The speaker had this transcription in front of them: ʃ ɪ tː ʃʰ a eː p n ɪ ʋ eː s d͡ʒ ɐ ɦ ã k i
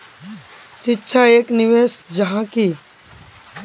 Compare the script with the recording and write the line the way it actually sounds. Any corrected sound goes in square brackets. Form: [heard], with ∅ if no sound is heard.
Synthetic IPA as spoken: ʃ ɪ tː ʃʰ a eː [k] n ɪ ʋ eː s d͡ʒ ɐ ɦ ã k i